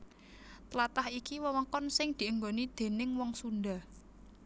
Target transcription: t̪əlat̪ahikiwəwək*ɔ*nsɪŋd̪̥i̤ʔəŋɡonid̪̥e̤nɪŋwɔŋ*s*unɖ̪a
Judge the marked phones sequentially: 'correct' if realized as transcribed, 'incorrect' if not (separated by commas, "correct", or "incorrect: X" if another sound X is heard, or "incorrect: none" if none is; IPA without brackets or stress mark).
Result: correct, correct